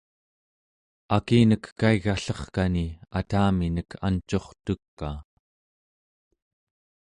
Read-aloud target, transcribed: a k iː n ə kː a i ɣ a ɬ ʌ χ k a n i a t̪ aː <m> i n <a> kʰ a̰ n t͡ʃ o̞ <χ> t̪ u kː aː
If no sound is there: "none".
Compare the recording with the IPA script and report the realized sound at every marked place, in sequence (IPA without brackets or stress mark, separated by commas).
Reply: m, ə, χ